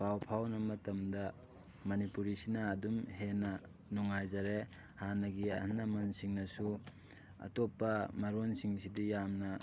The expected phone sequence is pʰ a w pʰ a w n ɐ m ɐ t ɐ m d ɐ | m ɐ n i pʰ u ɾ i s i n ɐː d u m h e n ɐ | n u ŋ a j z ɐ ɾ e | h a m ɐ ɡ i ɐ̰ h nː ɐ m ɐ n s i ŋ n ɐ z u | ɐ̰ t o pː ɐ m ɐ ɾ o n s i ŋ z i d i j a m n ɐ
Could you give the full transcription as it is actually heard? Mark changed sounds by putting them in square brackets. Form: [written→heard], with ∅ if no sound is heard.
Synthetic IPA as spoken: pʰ a w pʰ a w n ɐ m ɐ t ɐ m d ɐ | m ɐ n i [pʰ→p] u ɾ i s i n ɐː d u m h e n ɐ | n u ŋ a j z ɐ ɾ e | h a [m→n] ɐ ɡ i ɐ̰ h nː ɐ m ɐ n s i ŋ n ɐ [z→s] u | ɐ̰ t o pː ɐ m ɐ ɾ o n s i ŋ [z→s] i d i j a m n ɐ